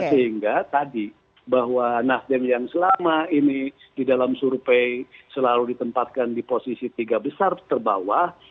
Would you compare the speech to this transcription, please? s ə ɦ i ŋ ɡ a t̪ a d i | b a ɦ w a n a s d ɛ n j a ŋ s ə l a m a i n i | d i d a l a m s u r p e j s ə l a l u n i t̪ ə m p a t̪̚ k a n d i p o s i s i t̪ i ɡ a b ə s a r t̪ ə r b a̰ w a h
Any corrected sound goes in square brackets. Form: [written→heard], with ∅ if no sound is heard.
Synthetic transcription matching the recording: s ə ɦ i ŋ ɡ a t̪ a d i | b a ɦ w a n a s d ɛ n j a ŋ s ə l a m a i n i | d i d a l a m s u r p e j s ə l a l u [n→d] i t̪ ə m p a t̪̚ k a n d i p o s i s i t̪ i ɡ a b ə s a r t̪ ə r b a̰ w a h